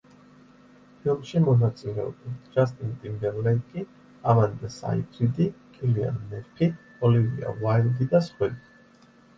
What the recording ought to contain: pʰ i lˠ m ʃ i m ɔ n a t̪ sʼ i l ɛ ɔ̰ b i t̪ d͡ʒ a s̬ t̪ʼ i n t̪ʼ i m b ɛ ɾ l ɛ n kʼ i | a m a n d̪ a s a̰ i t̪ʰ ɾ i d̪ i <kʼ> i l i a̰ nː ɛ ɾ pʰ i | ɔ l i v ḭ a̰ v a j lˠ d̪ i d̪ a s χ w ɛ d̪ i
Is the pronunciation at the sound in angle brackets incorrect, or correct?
correct